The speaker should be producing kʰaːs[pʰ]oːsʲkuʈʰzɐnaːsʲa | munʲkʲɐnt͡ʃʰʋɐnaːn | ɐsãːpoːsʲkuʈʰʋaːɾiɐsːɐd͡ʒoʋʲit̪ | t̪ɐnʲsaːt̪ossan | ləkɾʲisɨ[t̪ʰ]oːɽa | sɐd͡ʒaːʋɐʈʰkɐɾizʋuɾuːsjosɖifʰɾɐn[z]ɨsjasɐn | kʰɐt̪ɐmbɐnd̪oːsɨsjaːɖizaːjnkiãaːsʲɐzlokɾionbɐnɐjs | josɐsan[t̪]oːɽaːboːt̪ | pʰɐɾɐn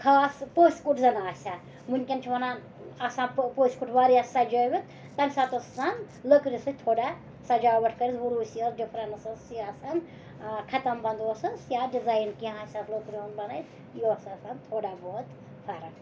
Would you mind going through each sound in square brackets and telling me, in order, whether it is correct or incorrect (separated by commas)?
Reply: incorrect, correct, incorrect, incorrect